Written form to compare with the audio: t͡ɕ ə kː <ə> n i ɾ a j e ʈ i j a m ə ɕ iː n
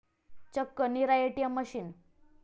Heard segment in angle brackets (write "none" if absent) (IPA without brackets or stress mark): ə